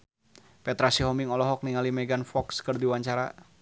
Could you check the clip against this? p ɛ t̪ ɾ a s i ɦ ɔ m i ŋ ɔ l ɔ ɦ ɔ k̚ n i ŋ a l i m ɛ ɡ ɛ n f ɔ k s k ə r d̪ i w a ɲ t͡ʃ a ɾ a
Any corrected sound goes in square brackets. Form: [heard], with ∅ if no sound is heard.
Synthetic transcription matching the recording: p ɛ t̪ ɾ a s i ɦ ɔ m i ŋ ɔ l ɔ ɦ ɔ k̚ n i ŋ a l i m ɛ ɡ [a] n f ɔ k s k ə r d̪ i w a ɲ t͡ʃ a ɾ a